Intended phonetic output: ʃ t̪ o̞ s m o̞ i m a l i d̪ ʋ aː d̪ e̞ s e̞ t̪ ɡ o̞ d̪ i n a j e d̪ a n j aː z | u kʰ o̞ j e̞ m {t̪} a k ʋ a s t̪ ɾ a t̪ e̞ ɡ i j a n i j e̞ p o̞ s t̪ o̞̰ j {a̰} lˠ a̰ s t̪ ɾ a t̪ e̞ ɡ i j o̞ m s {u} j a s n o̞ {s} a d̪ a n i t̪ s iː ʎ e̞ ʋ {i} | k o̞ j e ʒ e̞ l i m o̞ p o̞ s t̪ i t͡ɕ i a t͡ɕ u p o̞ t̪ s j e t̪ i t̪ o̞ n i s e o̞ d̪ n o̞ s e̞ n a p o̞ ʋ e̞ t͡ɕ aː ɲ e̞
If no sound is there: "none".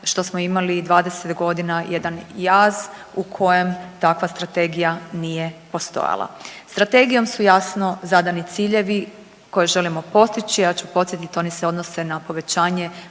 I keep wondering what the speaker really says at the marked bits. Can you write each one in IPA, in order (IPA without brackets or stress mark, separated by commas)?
t̪, a̰, u, z, i